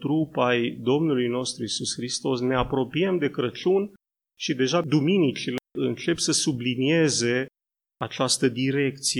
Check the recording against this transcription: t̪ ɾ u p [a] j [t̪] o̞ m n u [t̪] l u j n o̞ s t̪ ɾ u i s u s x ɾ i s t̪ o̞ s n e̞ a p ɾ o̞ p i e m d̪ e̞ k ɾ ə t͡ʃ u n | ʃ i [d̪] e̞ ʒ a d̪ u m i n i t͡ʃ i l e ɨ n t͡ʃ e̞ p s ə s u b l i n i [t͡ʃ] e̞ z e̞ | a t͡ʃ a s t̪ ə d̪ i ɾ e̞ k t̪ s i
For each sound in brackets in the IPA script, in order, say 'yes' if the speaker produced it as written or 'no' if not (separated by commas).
yes, no, no, yes, no